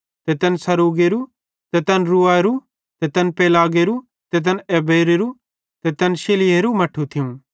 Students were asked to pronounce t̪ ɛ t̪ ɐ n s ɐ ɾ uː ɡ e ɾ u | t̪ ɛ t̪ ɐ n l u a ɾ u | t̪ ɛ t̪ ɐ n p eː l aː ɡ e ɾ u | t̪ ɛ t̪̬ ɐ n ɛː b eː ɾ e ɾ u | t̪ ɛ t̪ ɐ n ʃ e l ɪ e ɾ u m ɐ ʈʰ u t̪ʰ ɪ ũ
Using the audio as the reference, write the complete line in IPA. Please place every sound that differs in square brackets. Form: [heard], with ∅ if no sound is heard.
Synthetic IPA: t̪ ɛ t̪ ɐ n s ɐ ɾ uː ɡ e ɾ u | t̪ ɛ t̪ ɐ n [ɾ] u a ɾ u | t̪ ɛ t̪ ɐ n p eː l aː ɡ e ɾ u | t̪ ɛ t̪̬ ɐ n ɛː b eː ɾ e ɾ u | t̪ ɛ t̪ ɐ n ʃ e l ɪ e ɾ u m ɐ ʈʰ u t̪ʰ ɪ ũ